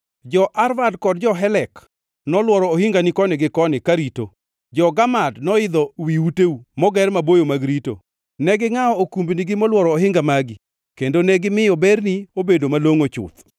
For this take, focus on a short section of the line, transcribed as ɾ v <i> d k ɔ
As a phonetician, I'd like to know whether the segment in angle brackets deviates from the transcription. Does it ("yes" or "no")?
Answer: yes